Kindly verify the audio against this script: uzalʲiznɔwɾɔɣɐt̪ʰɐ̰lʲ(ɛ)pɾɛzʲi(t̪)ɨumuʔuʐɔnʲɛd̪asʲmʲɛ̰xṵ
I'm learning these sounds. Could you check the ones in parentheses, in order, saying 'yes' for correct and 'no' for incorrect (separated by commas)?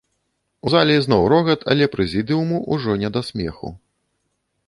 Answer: yes, no